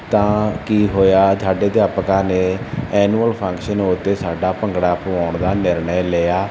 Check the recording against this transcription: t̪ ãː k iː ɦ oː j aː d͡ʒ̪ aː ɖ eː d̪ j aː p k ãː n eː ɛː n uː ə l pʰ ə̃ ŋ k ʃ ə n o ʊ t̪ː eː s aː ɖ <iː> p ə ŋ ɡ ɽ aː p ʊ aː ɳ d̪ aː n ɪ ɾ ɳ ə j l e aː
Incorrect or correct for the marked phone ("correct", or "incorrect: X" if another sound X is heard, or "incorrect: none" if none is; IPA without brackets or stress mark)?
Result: incorrect: aː